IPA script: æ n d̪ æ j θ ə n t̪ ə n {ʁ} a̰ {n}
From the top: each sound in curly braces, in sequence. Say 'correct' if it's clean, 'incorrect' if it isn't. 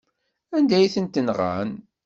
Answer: correct, correct

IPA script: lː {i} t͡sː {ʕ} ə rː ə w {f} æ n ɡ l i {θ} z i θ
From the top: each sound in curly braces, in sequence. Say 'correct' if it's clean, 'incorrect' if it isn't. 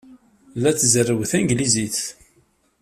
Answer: incorrect: æ, incorrect: z, incorrect: θ, incorrect: none

